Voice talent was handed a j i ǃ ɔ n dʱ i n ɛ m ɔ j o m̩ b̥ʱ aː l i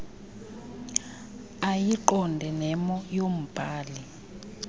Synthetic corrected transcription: a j i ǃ ɔ n dʱ ɛ n ɛ m ɔ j o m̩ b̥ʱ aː l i